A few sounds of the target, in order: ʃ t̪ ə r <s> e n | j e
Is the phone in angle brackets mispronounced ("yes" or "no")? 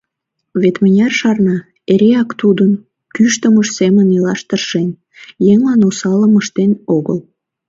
yes